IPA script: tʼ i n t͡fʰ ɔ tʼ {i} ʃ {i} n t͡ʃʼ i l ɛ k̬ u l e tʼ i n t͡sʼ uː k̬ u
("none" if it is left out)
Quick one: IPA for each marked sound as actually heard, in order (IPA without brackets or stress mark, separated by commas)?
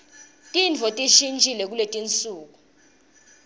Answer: i, i